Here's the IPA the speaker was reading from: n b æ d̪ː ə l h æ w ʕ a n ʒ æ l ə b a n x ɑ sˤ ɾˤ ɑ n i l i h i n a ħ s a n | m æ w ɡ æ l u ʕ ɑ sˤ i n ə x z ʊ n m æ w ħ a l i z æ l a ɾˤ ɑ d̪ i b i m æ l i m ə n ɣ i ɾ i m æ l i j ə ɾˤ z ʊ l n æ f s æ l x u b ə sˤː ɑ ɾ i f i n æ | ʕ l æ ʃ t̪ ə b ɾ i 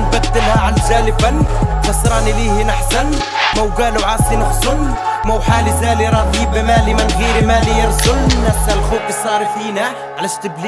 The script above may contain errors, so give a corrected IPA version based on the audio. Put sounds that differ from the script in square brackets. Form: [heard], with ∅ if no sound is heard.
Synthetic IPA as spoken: n b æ d̪ː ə l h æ [∅] ʕ a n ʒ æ l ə b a n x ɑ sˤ ɾˤ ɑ n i l i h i n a ħ s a n | m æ w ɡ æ l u ʕ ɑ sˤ i n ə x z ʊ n m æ w ħ a l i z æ l [i] ɾˤ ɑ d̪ i b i m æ l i m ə n ɣ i ɾ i m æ l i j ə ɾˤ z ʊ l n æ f s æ l x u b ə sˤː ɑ ɾ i f i n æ | ʕ l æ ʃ t̪ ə b [l] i